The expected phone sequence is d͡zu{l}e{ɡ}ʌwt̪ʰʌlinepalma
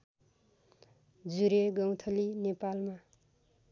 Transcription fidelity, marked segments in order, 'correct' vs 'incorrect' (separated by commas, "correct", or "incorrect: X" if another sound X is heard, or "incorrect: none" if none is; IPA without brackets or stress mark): incorrect: ɾ, correct